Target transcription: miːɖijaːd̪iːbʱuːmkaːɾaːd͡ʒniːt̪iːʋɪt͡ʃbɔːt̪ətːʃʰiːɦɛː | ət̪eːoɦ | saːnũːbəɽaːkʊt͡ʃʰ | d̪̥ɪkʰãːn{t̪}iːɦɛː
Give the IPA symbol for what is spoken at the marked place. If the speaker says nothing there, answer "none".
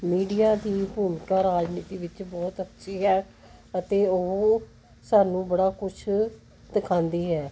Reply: d̪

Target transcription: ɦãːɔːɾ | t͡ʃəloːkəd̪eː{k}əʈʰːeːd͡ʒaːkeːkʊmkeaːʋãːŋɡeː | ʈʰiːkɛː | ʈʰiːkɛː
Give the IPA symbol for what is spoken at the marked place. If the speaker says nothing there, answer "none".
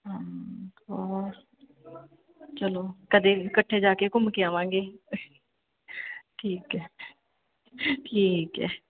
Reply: k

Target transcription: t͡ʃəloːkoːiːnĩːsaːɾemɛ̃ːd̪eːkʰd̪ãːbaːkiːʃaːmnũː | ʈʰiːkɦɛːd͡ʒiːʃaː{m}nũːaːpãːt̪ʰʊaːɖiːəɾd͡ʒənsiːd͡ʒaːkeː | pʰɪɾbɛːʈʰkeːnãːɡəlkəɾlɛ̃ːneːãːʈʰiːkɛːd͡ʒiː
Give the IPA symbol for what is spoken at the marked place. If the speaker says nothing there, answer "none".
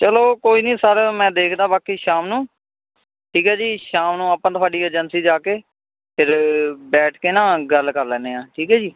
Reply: m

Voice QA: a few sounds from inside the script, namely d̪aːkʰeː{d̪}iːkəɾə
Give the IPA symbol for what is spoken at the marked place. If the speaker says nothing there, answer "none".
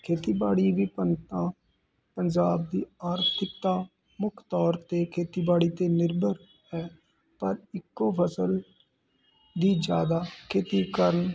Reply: t̪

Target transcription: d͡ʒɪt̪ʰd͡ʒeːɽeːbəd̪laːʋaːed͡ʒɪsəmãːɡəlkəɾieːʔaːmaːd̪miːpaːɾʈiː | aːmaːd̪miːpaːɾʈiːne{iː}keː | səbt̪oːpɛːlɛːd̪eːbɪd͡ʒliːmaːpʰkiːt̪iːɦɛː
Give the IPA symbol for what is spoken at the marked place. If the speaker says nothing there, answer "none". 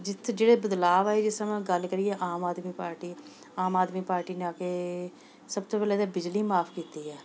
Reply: aː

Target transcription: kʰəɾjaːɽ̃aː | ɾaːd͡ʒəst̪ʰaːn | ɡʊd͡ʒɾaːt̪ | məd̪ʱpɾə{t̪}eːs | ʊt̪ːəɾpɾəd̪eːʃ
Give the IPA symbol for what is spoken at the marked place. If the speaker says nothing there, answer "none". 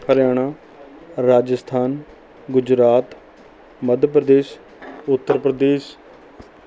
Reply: d̪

